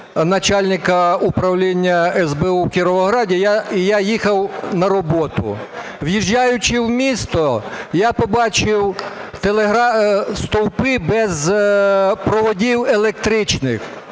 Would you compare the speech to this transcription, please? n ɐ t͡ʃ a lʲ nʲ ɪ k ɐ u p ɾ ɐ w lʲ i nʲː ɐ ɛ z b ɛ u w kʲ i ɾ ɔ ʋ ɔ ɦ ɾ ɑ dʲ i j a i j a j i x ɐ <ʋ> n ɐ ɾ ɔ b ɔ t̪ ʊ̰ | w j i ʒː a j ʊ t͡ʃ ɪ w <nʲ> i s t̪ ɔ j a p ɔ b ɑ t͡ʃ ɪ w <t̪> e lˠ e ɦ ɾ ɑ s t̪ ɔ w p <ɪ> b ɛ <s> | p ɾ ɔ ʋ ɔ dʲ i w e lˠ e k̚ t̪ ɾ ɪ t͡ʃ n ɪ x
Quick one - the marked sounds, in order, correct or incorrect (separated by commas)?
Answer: incorrect, incorrect, correct, correct, incorrect